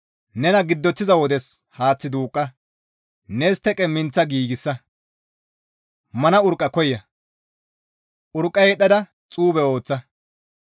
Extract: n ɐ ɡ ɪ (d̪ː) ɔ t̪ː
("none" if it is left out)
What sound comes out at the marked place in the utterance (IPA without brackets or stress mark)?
d̪ː